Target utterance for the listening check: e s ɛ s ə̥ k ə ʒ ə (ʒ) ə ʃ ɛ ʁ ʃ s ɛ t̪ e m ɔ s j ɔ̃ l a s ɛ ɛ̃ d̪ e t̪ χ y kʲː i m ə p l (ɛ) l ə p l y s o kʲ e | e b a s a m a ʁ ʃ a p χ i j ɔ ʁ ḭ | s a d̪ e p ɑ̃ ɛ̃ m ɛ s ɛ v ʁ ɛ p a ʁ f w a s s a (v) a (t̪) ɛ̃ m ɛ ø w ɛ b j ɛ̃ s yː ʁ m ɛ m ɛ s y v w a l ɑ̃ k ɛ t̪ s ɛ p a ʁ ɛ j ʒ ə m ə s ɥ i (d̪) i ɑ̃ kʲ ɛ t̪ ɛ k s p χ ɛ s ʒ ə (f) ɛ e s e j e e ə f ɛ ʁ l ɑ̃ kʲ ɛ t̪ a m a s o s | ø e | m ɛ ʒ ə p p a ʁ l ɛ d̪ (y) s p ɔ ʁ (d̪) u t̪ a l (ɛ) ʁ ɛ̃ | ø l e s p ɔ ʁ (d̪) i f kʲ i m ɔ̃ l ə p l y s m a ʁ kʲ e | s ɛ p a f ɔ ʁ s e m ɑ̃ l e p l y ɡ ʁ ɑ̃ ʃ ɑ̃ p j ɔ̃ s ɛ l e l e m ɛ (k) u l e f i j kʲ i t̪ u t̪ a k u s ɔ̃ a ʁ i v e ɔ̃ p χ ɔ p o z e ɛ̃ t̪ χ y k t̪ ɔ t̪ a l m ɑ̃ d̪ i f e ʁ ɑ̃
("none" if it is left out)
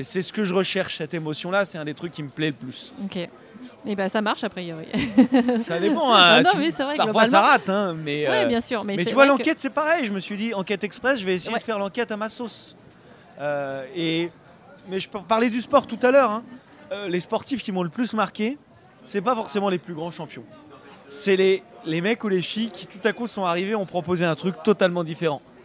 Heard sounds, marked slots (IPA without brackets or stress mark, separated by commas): ʁ, ɛ, ʁ, t̪, d̪, v, y, t̪, œ, t̪, k